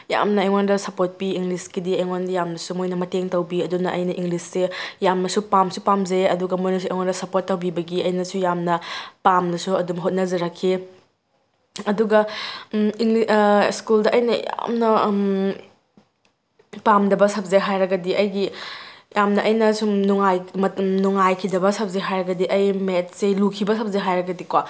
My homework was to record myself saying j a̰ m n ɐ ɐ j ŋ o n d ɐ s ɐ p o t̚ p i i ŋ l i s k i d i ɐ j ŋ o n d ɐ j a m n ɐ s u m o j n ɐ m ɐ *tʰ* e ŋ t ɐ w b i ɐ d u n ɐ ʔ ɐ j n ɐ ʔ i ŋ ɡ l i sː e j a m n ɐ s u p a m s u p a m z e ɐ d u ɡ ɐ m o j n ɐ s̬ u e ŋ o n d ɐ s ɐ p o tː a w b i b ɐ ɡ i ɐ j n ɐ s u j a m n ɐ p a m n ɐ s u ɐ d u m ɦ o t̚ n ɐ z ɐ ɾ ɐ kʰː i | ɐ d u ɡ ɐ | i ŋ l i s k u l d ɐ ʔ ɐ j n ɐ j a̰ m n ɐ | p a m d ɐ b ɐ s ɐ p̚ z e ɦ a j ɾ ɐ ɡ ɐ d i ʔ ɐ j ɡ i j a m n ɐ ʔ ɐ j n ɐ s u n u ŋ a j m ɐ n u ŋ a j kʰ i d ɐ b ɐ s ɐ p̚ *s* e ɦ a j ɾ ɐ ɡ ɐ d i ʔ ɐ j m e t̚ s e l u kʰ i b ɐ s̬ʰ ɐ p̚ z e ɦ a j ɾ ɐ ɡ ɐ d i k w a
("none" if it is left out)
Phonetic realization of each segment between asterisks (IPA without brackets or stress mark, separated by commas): t, z